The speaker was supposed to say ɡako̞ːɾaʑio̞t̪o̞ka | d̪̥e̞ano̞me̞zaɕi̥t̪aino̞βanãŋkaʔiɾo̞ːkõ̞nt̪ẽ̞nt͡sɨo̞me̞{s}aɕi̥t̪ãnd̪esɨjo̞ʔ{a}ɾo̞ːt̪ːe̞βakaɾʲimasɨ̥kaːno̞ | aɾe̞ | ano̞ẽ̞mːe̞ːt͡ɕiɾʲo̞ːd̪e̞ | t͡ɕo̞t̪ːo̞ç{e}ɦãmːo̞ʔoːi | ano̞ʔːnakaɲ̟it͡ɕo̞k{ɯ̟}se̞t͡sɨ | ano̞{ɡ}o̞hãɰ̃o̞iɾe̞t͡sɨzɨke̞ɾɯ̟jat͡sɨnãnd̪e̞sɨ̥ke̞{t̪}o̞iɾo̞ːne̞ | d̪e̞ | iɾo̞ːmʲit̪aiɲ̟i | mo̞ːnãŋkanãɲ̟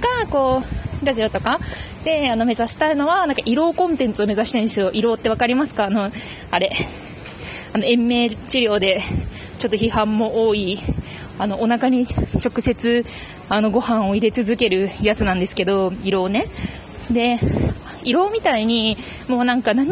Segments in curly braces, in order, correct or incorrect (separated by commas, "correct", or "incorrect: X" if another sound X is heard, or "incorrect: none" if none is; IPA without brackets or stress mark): incorrect: z, incorrect: i, incorrect: i, correct, correct, incorrect: d̪